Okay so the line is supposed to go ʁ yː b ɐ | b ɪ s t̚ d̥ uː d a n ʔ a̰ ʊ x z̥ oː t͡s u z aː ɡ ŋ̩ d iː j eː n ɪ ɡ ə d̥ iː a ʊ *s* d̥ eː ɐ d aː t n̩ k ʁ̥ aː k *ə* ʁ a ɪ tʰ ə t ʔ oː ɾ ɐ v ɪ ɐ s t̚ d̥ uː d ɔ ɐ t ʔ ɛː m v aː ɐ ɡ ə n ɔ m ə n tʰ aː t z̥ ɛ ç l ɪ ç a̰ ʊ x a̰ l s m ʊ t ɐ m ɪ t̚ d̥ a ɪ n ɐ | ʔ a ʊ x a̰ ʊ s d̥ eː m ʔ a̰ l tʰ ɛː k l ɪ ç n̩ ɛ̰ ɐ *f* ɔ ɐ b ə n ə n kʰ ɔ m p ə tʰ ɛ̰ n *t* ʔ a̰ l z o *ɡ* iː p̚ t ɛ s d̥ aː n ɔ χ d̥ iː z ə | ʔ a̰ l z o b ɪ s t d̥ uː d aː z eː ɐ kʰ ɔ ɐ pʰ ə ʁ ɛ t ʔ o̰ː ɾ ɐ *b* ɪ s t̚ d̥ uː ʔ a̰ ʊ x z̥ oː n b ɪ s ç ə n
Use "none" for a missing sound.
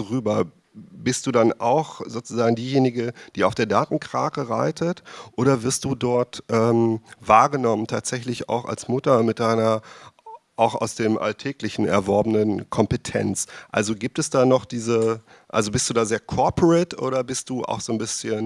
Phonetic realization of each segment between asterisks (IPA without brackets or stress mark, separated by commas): f, ə, v, t͡s, ɡ, b